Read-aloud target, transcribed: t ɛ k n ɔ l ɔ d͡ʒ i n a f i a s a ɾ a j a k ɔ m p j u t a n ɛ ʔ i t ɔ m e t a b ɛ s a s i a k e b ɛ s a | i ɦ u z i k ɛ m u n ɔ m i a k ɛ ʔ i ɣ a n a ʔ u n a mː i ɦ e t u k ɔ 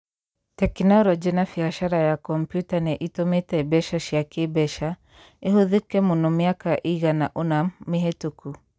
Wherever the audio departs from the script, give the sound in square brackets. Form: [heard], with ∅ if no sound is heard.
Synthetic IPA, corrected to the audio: t ɛ k n ɔ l ɔ d͡ʒ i n a f i a [ʃ] a ɾ a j a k ɔ m p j u t a n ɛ ʔ i t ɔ m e t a b ɛ [ʃ] a [ʃ] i a k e b ɛ [ʃ] a | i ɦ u [ð] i k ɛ m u n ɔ m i a k [a] ʔ i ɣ a n a ʔ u n a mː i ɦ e t u k [u]